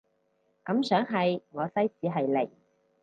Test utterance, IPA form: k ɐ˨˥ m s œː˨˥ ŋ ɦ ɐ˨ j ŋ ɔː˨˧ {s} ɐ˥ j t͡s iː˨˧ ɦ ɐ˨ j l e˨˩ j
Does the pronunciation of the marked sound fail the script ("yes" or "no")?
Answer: no